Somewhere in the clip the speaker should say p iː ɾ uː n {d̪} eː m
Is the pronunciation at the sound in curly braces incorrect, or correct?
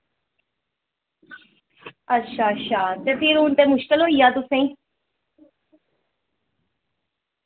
incorrect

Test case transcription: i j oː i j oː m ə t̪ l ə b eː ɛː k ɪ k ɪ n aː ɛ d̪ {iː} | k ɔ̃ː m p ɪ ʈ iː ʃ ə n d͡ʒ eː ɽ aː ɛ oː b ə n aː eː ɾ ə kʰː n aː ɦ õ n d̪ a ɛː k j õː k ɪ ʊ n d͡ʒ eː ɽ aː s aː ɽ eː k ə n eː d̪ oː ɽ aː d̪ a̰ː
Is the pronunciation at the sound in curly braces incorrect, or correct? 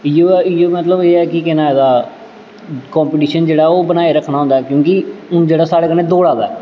incorrect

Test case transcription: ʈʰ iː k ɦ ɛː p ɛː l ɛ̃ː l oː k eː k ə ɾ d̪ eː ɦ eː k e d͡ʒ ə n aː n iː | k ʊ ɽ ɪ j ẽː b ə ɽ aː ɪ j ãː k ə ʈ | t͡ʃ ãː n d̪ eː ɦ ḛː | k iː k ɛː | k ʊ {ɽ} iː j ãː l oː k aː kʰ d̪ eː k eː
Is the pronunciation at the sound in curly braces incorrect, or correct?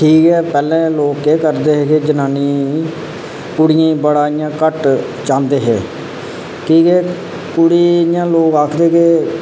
correct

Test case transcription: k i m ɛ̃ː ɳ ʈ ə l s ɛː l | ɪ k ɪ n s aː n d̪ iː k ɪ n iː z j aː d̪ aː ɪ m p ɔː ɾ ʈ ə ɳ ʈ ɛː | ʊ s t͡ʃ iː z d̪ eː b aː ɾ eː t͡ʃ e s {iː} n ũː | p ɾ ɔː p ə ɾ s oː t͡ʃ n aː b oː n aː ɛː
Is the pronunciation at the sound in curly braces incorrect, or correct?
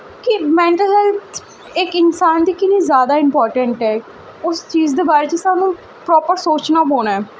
incorrect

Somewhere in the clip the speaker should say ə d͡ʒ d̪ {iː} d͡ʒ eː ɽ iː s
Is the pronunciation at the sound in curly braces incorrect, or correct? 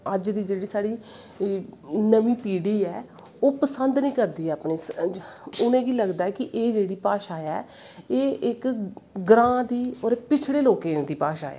correct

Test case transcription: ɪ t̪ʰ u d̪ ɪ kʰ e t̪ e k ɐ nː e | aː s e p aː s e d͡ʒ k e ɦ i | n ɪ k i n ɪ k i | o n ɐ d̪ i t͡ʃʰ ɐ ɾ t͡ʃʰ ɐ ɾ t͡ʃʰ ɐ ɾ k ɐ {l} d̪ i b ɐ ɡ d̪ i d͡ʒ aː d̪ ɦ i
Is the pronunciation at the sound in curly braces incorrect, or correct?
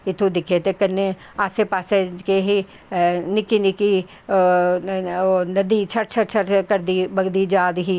incorrect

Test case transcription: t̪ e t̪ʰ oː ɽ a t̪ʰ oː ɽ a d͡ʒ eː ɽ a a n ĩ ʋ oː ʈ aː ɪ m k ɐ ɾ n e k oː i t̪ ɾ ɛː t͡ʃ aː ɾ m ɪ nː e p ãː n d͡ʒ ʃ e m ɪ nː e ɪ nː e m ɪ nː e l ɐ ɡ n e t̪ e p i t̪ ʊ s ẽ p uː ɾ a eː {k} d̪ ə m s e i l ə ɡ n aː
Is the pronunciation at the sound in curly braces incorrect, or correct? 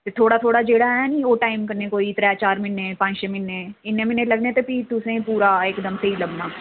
correct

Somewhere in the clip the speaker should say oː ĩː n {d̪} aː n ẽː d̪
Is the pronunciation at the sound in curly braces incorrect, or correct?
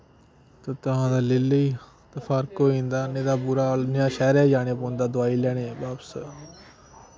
correct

